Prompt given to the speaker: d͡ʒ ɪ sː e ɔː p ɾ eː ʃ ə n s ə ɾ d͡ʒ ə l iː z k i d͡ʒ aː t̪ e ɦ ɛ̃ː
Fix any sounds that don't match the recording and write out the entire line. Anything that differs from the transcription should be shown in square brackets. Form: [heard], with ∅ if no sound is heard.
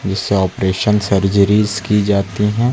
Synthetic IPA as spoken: d͡ʒ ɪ sː e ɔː p ɾ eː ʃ ə n s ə ɾ d͡ʒ ə [ɾ] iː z k i d͡ʒ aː t̪ [i] ɦ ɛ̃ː